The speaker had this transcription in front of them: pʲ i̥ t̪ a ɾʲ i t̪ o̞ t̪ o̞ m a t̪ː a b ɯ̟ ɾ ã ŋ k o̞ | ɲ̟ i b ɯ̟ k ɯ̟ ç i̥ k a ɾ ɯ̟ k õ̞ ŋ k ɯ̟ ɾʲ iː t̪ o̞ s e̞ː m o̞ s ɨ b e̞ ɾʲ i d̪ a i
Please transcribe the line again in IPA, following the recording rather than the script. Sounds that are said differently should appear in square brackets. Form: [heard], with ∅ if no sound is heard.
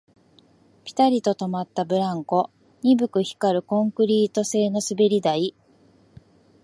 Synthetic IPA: pʲ i̥ t̪ a ɾʲ i t̪ o̞ t̪ o̞ m a t̪ː a b ɯ̟ ɾ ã ŋ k o̞ | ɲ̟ i b ɯ̟ k ɯ̟ ç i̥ k a ɾ ɯ̟ k õ̞ ŋ k ɯ̟ ɾʲ iː t̪ o̞ s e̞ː [n] o̞ s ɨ b e̞ ɾʲ i d̪ a i